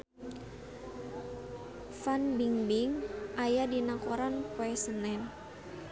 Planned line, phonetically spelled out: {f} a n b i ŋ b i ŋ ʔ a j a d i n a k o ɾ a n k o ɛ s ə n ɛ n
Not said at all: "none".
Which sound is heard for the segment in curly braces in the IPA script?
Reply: f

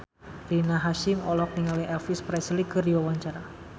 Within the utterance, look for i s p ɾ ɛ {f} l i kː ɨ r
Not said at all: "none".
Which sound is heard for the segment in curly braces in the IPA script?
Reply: s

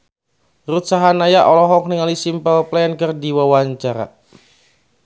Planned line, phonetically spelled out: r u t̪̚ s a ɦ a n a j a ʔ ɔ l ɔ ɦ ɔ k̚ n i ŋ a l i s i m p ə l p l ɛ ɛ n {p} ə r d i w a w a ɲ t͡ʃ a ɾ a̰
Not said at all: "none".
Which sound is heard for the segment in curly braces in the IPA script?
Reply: k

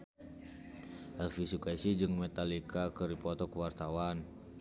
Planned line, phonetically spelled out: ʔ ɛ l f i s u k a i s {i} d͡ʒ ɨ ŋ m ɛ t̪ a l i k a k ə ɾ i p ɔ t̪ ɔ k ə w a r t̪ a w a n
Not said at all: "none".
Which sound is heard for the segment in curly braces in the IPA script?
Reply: i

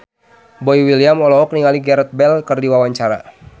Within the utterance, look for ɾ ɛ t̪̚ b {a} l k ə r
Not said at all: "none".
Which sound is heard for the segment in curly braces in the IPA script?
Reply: ɛ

